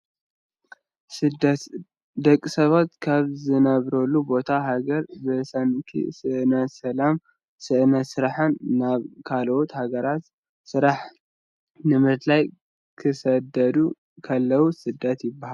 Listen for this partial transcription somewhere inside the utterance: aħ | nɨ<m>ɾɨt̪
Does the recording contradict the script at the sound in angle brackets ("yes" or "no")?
no